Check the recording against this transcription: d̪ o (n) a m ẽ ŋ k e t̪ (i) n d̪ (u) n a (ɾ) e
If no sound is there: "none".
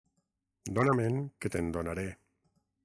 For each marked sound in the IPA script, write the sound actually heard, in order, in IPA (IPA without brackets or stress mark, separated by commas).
n, e, o, ɾ